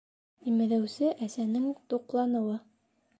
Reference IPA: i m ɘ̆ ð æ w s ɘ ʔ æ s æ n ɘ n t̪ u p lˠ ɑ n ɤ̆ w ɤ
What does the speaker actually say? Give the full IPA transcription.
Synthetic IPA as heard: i m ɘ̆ ð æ w s ɘ ʔ æ s æ n ɘ ŋ t̪ u q lˠ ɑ n ɤ̆ w ɤ